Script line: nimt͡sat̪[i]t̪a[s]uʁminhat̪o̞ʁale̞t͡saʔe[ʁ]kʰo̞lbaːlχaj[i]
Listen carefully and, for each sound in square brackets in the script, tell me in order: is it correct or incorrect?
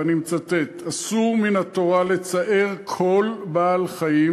incorrect: e, correct, correct, correct

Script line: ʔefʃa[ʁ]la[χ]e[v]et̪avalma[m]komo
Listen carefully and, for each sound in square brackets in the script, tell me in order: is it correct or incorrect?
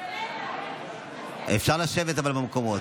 correct, incorrect: ʃ, correct, correct

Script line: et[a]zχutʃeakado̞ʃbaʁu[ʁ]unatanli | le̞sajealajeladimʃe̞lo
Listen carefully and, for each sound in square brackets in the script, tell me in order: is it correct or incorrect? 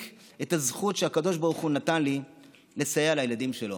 correct, incorrect: χ

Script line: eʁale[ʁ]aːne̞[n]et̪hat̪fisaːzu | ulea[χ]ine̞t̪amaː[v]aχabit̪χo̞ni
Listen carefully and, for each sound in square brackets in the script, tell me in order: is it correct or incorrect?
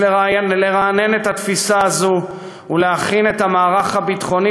correct, correct, correct, incorrect: ʁ

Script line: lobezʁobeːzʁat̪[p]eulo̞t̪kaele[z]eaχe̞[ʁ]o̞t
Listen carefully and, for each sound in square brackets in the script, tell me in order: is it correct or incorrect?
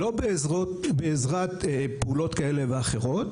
correct, incorrect: v, correct

